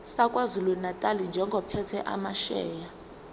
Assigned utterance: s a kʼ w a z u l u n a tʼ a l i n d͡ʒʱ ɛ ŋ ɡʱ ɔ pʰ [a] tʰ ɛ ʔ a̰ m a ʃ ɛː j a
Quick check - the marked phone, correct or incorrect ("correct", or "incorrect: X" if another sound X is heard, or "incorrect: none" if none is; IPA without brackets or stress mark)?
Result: incorrect: ɛ